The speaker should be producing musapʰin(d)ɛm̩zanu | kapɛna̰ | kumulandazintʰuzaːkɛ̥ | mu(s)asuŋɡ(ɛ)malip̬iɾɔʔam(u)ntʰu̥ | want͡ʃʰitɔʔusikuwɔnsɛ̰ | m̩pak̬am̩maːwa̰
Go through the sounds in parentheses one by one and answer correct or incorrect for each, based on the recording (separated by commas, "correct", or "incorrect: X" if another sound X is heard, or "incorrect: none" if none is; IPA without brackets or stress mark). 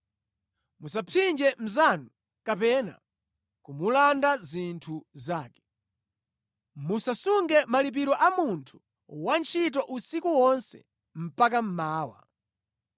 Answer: incorrect: d͡ʒ, correct, correct, correct